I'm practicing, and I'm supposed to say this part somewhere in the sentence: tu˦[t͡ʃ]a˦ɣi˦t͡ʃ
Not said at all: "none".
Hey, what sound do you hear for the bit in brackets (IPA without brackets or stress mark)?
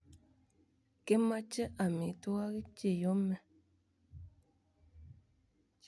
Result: none